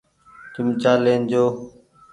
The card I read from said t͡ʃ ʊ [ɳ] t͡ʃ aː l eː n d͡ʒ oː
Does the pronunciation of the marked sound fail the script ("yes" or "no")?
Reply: yes